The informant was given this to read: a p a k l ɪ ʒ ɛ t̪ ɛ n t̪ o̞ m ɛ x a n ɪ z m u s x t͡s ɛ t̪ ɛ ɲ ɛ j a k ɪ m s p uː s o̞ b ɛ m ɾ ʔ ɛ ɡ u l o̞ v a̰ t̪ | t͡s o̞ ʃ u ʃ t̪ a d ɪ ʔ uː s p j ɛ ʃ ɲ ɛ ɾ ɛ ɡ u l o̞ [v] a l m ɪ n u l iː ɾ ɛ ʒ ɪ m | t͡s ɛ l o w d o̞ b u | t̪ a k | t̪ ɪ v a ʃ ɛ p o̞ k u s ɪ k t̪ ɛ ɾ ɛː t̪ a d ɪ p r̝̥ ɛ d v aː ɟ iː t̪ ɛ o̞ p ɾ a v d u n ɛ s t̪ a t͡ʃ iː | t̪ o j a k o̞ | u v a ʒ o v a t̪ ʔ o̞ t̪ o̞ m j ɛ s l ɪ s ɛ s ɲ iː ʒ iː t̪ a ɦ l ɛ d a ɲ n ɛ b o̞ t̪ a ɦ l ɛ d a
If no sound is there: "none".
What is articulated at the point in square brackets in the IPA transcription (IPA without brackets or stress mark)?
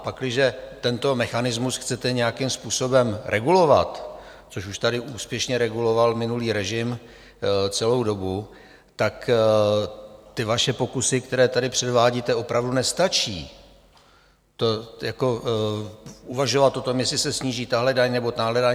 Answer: v